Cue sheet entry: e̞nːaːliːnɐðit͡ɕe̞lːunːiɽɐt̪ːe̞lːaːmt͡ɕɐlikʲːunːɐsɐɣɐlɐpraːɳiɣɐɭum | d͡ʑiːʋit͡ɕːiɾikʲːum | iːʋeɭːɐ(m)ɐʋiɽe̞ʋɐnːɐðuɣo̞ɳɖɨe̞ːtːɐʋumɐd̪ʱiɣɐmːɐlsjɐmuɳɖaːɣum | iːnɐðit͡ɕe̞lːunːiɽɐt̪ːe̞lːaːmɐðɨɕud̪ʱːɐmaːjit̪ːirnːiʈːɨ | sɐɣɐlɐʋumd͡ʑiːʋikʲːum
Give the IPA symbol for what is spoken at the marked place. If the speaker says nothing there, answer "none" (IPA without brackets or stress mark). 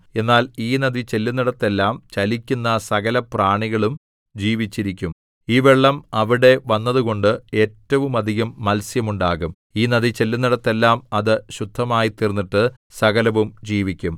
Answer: m